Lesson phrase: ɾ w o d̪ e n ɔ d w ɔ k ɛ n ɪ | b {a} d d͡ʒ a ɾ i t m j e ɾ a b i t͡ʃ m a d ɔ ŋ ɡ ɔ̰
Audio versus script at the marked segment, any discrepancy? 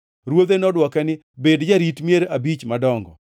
yes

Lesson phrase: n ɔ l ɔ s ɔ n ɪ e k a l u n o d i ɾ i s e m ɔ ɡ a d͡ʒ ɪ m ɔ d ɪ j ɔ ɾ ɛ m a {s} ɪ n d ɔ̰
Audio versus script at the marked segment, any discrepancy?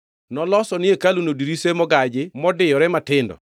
yes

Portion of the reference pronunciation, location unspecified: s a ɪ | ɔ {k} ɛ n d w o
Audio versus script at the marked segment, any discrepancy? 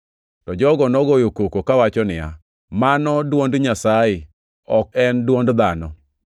no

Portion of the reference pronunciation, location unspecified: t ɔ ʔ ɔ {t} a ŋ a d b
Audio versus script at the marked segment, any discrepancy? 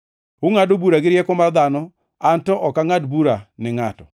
yes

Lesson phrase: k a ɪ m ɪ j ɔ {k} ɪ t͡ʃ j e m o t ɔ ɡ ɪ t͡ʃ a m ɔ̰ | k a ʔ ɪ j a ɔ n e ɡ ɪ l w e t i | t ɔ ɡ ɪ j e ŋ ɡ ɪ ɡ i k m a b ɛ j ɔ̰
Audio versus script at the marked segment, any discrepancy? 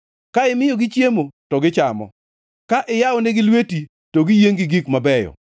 yes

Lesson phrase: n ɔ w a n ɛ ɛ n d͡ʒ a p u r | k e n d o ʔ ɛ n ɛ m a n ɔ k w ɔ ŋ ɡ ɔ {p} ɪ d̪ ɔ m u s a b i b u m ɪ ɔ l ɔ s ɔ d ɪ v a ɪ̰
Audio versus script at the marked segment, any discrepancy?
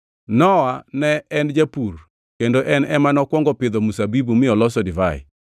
no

